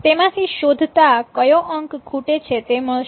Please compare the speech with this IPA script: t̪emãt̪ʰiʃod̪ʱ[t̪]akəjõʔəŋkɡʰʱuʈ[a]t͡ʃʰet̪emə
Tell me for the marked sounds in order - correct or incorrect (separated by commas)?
correct, incorrect